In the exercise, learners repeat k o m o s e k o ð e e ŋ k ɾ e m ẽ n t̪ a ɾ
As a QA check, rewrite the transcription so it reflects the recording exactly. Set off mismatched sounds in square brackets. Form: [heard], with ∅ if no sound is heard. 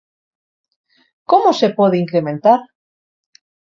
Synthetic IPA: k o m o s e [p] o ð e [i] ŋ k ɾ e m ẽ n t̪ a ɾ